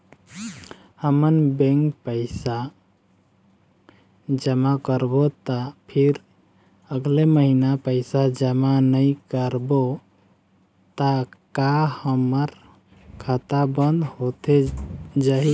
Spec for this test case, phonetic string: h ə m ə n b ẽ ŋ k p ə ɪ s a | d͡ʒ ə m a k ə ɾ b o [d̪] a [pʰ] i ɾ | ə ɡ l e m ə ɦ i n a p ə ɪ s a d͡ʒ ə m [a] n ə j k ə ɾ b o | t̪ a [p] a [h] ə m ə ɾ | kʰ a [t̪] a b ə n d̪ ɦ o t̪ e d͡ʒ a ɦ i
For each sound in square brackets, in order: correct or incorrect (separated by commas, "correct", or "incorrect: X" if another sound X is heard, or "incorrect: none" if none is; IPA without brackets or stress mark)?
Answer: incorrect: t̪, correct, correct, incorrect: k, correct, correct